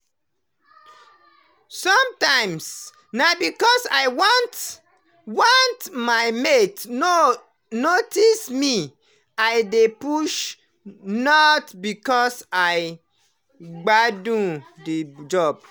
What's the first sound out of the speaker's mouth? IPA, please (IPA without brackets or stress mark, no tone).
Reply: s